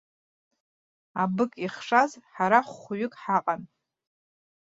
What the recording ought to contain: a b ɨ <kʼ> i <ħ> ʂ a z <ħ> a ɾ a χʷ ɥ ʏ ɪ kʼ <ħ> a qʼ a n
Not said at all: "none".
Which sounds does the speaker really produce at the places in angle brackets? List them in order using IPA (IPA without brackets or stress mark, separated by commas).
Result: kʼ, χ, ħ, ħ